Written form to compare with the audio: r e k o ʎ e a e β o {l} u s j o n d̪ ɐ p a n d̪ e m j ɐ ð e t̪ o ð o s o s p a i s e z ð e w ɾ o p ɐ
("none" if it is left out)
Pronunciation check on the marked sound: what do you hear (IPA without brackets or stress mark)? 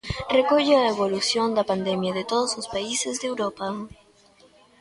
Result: l